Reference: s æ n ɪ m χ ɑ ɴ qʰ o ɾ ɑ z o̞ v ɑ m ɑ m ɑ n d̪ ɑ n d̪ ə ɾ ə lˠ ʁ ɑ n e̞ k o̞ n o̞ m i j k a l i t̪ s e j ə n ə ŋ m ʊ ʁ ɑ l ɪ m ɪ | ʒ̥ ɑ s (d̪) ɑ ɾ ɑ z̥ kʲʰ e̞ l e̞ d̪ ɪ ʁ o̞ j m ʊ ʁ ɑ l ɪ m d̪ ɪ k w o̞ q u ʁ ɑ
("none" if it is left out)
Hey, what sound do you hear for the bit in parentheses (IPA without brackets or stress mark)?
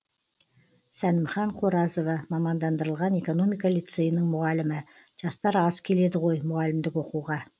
t̪